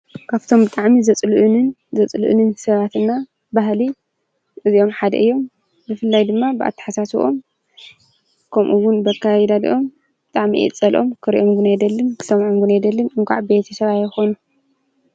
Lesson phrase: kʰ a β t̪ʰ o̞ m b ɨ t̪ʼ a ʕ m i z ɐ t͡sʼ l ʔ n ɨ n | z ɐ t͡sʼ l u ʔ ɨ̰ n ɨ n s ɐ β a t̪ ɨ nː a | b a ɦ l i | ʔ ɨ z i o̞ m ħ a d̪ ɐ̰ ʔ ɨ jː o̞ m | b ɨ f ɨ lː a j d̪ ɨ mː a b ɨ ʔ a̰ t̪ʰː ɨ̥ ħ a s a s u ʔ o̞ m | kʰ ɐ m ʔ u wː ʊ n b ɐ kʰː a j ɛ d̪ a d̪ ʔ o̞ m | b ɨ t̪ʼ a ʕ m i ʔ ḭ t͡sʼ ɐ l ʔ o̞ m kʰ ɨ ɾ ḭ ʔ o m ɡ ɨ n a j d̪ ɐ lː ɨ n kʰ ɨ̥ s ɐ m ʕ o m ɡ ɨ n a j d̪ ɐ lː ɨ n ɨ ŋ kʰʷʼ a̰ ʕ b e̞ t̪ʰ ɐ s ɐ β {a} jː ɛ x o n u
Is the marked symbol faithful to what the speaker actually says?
yes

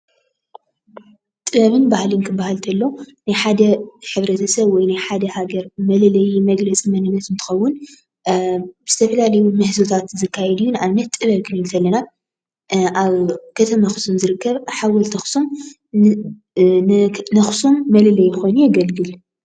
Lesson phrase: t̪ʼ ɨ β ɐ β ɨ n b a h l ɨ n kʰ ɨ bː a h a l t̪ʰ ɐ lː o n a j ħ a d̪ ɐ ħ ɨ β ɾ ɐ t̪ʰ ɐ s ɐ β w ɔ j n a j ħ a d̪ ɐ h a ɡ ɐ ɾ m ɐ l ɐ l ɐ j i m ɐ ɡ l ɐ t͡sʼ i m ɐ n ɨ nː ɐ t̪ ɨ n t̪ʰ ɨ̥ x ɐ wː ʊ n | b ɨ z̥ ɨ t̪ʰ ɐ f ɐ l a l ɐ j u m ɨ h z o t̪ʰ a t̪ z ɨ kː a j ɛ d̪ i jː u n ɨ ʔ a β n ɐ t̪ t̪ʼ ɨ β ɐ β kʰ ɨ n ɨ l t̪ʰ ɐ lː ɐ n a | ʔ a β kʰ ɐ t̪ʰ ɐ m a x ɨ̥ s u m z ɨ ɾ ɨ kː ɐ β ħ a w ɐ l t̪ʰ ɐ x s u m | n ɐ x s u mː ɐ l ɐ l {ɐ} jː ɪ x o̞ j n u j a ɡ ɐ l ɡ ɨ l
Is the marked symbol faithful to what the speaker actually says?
yes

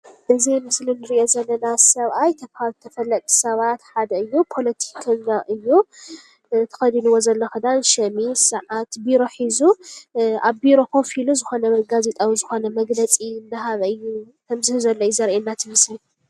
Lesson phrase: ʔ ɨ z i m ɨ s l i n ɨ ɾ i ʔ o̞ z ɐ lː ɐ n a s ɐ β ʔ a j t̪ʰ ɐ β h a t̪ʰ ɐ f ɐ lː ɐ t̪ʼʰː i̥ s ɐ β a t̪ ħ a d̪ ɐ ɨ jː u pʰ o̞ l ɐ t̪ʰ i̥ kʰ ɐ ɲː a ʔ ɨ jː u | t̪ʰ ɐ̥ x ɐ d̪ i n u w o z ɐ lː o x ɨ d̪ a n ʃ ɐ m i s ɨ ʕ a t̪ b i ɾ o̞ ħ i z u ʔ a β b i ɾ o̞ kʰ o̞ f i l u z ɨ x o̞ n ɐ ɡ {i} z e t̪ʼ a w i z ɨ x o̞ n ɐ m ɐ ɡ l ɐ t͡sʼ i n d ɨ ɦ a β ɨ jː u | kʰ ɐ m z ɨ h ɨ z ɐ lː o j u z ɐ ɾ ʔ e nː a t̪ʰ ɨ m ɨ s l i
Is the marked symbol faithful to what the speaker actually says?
no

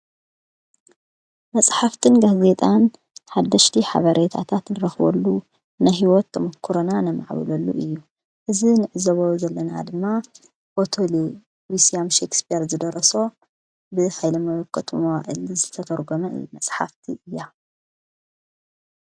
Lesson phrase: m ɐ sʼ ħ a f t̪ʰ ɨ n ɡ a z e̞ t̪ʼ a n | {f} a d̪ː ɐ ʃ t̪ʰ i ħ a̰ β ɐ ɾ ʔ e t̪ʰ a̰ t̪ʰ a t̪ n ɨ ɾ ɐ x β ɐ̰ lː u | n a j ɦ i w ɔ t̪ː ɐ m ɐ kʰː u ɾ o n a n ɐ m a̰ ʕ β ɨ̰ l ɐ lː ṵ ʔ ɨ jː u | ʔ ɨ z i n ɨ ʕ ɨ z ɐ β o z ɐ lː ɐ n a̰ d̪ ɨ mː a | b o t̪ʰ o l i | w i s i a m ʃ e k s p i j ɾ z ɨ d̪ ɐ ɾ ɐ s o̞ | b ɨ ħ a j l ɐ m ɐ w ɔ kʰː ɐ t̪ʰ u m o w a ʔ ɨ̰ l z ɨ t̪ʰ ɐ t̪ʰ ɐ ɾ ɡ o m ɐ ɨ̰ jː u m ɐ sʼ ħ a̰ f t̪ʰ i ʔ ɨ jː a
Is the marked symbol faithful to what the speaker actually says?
no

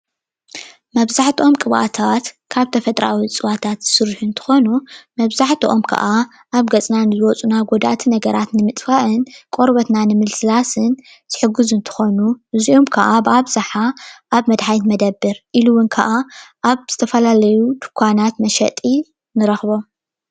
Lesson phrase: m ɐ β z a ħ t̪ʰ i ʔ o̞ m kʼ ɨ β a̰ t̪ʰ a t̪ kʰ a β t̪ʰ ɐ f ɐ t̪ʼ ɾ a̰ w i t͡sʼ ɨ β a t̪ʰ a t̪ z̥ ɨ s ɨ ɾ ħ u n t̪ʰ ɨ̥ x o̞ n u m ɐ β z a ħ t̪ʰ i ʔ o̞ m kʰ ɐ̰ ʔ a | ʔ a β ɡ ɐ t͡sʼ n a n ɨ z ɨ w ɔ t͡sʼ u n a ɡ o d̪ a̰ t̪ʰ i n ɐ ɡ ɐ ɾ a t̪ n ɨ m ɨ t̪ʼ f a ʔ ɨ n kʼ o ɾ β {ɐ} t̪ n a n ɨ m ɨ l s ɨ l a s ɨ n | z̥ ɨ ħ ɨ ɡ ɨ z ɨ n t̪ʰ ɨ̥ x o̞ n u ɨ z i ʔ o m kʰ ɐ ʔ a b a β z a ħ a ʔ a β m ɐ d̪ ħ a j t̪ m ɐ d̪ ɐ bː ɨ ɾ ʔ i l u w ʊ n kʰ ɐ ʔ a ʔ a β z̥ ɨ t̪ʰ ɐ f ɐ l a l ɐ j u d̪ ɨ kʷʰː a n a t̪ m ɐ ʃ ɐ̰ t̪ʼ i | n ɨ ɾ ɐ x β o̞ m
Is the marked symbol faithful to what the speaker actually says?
yes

